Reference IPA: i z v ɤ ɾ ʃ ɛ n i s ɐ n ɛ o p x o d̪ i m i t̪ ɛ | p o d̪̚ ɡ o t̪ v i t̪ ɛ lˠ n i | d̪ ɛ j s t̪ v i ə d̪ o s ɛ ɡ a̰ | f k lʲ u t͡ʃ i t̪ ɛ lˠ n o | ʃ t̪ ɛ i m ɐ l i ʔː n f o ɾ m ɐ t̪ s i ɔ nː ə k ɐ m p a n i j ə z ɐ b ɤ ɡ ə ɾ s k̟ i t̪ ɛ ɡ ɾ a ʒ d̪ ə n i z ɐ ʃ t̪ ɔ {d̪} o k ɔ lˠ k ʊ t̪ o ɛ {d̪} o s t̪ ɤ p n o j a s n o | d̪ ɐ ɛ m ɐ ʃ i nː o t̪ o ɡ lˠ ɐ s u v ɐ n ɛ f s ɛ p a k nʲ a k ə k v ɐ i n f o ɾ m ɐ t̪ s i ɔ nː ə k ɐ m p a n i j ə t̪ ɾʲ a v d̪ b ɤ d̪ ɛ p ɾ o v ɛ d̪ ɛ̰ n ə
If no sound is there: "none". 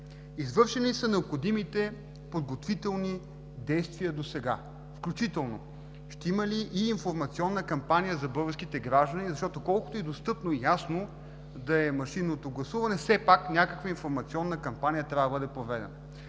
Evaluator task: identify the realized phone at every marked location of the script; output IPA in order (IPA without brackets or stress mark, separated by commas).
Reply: t̪, d̪